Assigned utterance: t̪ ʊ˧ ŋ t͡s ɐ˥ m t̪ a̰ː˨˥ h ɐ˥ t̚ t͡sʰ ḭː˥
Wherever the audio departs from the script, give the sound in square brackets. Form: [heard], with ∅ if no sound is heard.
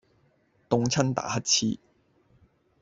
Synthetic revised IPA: t̪ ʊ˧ ŋ [t͡sʰ] ɐ˥ [n] t̪ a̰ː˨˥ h ɐ˥ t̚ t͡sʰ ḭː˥